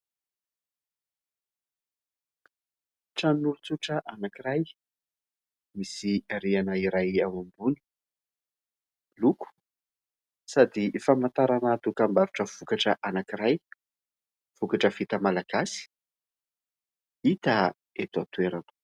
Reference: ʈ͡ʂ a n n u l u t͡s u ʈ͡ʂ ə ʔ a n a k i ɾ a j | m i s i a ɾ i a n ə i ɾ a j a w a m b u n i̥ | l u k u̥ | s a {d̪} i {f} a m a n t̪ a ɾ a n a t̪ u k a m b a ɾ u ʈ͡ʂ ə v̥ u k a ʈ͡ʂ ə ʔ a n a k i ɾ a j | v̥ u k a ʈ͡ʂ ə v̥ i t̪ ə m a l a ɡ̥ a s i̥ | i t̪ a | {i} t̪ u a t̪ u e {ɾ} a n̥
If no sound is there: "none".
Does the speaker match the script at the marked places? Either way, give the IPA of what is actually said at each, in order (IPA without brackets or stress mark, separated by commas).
d̪, f, e, ɾ